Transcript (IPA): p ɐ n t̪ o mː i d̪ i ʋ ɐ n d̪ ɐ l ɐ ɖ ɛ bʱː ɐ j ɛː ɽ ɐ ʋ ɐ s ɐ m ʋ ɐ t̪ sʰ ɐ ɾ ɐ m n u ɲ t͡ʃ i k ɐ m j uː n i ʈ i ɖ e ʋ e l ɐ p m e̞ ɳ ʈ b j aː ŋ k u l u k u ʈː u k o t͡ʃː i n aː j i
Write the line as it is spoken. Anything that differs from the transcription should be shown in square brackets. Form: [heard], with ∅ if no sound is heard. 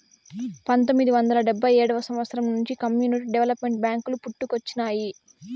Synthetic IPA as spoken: p ɐ n t̪ o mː i d̪ i ʋ ɐ n d̪ ɐ l ɐ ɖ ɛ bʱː ɐ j ɛː ɽ ɐ ʋ ɐ s ɐ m ʋ ɐ t̪ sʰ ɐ ɾ ɐ m n u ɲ t͡ʃ i k ɐ m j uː n i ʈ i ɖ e ʋ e l ɐ p m e̞ ɳ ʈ b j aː ŋ k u l u [p] u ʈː u k o t͡ʃː i n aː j i